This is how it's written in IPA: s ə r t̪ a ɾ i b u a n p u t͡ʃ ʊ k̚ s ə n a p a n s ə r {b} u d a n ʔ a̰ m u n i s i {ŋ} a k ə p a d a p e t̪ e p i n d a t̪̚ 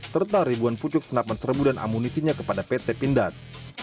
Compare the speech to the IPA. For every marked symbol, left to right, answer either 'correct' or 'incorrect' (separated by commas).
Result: correct, incorrect